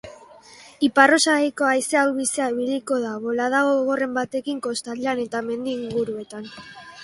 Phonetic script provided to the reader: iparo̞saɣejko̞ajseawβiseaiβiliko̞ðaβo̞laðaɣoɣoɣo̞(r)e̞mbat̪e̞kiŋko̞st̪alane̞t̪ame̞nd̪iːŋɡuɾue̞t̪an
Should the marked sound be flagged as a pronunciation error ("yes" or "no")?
no